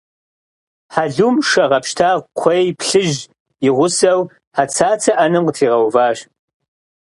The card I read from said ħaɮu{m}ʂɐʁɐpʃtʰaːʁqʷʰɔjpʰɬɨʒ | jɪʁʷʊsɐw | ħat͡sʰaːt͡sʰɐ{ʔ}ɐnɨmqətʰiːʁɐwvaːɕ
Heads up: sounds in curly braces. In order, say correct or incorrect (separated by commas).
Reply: correct, correct